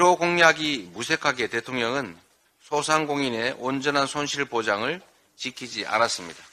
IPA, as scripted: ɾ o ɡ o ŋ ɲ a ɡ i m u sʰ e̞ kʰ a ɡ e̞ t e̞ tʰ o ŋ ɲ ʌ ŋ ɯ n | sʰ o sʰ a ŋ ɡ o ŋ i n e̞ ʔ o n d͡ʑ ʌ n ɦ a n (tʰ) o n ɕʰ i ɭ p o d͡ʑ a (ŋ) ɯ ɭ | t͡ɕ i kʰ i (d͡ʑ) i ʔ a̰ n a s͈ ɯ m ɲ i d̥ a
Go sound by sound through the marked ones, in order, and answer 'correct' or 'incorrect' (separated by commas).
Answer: incorrect, correct, correct